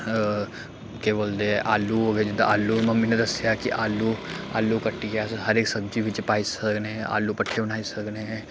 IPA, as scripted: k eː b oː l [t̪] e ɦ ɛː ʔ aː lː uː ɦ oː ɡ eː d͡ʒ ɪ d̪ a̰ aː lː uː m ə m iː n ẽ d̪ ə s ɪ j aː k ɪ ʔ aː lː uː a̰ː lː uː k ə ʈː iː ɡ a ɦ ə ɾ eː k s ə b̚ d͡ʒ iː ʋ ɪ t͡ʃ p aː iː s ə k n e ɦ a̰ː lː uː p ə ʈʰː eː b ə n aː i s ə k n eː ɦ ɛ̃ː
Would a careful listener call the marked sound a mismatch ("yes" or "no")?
yes